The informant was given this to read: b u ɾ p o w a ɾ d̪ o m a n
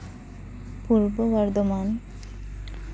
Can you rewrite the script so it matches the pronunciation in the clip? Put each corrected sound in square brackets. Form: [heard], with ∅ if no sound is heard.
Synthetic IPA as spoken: [p] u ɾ [b] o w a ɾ d̪ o m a n